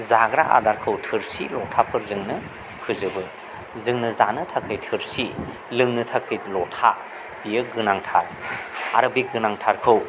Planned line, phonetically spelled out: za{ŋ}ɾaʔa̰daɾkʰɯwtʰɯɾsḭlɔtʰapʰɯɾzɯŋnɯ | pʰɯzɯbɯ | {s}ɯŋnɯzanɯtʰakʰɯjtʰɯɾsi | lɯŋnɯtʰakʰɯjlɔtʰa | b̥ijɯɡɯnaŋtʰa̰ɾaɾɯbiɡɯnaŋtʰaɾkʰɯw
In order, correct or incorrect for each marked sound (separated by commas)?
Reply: incorrect, incorrect